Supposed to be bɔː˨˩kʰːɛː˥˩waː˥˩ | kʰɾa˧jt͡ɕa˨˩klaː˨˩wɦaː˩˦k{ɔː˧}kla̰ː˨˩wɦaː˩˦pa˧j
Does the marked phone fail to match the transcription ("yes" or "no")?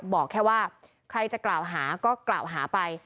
yes